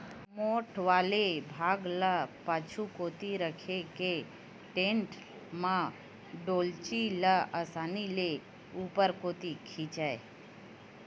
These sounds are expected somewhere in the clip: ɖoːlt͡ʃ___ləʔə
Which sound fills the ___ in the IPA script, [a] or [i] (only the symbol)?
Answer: i